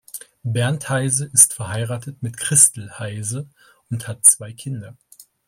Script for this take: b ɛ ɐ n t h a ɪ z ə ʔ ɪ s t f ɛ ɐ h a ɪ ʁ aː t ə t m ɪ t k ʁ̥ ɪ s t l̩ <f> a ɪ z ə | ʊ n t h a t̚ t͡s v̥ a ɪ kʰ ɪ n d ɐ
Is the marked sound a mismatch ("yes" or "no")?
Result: yes